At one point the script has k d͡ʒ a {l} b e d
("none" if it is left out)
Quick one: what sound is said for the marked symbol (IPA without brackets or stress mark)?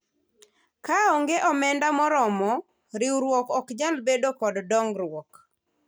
l